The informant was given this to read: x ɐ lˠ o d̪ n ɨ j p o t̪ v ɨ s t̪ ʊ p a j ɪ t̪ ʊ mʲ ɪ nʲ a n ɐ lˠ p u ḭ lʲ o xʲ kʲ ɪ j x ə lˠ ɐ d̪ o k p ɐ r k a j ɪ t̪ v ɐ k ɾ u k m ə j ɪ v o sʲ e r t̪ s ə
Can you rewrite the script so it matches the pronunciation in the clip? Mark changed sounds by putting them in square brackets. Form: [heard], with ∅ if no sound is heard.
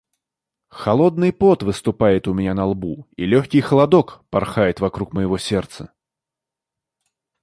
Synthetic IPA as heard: x ɐ lˠ o d̪ n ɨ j p o t̪ v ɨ s t̪ ʊ p a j ɪ t̪ ʊ mʲ ɪ nʲ a n ɐ lˠ [b] u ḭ lʲ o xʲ kʲ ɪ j x ə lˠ ɐ d̪ o k p ɐ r [x] a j ɪ t̪ v ɐ k ɾ u k m ə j ɪ v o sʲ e r t̪ s ə

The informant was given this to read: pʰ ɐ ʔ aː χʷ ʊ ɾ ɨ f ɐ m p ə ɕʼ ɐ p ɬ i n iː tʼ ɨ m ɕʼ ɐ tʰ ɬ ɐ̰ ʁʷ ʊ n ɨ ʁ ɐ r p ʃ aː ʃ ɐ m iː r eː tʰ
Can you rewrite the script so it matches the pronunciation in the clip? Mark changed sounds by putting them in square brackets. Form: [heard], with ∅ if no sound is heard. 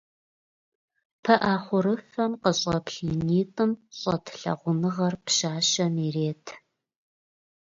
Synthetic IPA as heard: pʰ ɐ ʔ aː χʷ ʊ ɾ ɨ f ɐ m [q] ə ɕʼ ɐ p ɬ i n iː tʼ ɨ m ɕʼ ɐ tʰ ɬ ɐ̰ ʁʷ ʊ n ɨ ʁ ɐ r p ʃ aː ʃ ɐ m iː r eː tʰ

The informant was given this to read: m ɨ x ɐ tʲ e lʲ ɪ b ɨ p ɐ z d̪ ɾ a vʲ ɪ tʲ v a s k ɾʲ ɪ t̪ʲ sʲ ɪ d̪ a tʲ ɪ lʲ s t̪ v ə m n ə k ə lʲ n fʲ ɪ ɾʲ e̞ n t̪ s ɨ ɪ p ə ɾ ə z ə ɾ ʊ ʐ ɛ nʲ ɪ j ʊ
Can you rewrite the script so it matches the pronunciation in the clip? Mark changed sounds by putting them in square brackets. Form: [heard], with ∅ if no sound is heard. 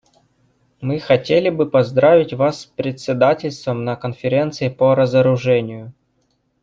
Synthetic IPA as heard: m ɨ x ɐ tʲ e lʲ ɪ b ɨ p ɐ z d̪ ɾ a vʲ ɪ tʲ v a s [p] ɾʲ ɪ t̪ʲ sʲ ɪ d̪ a tʲ ɪ lʲ s t̪ v ə m n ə k ə [∅] n fʲ ɪ ɾʲ e̞ n t̪ s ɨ ɪ p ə ɾ ə z ə ɾ ʊ ʐ ɛ nʲ ɪ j ʊ

